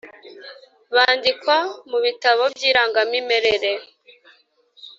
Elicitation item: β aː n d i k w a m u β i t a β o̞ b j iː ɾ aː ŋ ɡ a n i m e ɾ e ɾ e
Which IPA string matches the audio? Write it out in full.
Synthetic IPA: β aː n d i k w a m u β i t a β o̞ b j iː ɾ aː ŋ ɡ a m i m e ɾ e ɾ e